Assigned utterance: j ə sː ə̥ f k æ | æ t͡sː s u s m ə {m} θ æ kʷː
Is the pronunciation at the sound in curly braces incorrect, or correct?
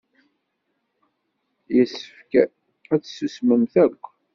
correct